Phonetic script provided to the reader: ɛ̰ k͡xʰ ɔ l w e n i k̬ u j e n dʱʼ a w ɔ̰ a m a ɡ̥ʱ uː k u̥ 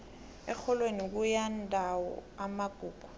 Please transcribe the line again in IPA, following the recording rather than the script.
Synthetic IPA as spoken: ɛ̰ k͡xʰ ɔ l w e n i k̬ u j a n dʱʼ a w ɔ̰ a m a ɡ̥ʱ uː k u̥